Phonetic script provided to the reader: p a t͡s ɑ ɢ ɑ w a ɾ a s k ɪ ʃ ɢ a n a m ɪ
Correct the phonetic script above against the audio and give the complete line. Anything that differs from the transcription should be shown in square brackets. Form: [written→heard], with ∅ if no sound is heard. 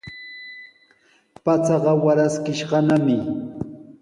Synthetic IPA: p a t͡s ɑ ɢ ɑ w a ɾ a s k ɪ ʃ ɢ [a→ɑ] n a m ɪ